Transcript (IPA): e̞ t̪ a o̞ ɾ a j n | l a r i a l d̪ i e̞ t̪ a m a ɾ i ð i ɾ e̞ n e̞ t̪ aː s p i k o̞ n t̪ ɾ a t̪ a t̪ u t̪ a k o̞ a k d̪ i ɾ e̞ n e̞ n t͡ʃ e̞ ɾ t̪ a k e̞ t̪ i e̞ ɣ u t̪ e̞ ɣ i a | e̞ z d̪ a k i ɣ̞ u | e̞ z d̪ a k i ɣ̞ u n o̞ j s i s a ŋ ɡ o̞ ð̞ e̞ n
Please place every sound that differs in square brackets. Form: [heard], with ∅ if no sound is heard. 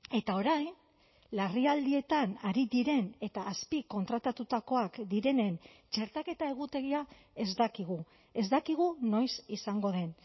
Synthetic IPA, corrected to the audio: e̞ t̪ a o̞ ɾ a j n | l a r i a l d̪ i e̞ t̪ a [n] a ɾ i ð i ɾ e̞ n e̞ t̪ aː s p i k o̞ n t̪ ɾ a t̪ a t̪ u t̪ a k o̞ a k d̪ i ɾ e̞ n e̞ n t͡ʃ e̞ ɾ t̪ a k e̞ t̪ [a] e̞ ɣ u t̪ e̞ ɣ i a | e̞ z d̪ a k i ɣ̞ u | e̞ z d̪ a k i ɣ̞ u n o̞ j s i s a ŋ ɡ o̞ ð̞ e̞ n